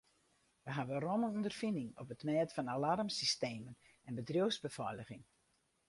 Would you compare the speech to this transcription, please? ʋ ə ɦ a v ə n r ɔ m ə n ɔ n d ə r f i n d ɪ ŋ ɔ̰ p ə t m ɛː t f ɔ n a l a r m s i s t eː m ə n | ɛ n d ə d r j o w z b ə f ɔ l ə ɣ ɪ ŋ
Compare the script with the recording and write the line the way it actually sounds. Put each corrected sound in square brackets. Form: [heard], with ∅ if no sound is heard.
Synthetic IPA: ʋ ə ɦ a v ə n r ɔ m ə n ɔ n d ə r f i n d ɪ ŋ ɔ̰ p ə t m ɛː t f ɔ n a l a r m s i s t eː m ə n | ɛ n [b] ə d r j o w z b ə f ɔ l ə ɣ ɪ ŋ